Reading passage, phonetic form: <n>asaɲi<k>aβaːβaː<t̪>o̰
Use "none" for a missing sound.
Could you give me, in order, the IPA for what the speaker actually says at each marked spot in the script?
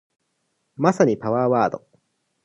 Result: m, p, d̪

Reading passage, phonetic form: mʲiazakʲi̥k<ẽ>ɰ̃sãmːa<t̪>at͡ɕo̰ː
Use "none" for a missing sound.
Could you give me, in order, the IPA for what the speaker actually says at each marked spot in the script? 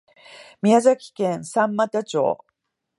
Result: ẽ, t̪

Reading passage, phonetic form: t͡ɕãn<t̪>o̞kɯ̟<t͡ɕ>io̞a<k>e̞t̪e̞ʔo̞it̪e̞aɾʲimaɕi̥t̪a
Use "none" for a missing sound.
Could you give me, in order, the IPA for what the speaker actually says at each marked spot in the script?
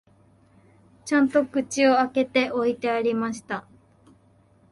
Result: t̪, t͡ɕ, k

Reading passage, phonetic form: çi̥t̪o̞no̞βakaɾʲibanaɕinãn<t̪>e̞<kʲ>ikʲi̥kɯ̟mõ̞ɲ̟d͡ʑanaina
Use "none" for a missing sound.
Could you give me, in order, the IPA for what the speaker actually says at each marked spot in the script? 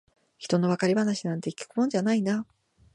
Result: t̪, none

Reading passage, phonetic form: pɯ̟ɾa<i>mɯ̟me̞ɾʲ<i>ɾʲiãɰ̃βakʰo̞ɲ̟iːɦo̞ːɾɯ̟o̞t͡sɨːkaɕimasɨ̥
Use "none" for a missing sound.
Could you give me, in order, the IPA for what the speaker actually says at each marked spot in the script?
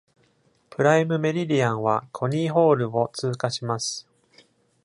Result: i, i

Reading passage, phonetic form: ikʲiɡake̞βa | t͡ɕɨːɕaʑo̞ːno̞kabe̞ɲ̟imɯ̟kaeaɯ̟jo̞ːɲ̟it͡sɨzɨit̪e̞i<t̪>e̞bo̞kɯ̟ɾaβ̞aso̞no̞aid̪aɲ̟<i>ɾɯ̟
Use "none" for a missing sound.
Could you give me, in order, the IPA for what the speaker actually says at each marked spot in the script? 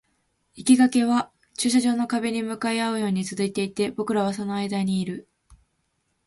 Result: t̪, iː

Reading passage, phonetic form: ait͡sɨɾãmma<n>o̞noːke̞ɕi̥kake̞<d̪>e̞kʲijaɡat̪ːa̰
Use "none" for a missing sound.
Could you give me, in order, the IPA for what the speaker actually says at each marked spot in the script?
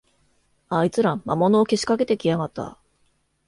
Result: m, t̪

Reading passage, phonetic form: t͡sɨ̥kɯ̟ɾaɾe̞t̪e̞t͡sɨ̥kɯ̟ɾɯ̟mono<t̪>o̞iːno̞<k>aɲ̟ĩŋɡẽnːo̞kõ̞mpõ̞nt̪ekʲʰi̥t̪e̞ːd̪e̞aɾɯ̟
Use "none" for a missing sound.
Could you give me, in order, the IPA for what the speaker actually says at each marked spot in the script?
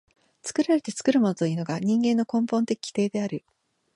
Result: t̪, ɡ

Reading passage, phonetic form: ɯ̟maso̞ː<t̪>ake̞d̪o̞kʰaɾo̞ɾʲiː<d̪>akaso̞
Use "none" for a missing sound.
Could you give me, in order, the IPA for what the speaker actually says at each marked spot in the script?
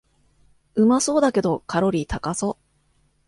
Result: d̪, t̪

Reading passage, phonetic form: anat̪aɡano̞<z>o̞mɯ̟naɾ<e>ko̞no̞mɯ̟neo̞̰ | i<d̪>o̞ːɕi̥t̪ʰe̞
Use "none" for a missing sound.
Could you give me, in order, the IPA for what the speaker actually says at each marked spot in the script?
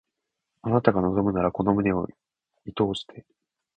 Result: z, a, t̪

